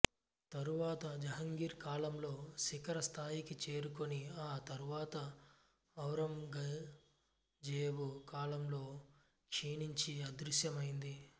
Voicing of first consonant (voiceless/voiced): voiceless